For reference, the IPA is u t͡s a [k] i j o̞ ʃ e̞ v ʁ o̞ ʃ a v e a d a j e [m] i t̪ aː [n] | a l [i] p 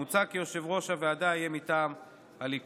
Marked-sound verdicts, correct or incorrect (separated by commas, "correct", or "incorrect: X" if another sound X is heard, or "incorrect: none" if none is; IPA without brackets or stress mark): correct, correct, incorrect: m, correct